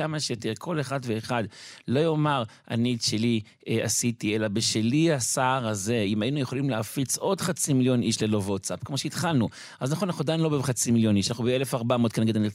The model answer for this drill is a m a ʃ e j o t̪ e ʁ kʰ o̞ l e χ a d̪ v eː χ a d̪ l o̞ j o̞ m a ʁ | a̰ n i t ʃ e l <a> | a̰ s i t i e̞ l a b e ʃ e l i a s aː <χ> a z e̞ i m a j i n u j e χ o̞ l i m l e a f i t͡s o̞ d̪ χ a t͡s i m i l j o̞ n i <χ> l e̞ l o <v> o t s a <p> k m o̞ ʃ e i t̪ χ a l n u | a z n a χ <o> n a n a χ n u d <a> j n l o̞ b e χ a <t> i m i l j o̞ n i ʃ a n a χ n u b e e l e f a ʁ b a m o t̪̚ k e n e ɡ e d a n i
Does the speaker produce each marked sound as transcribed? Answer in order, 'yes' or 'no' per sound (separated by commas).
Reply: no, no, no, yes, yes, yes, yes, no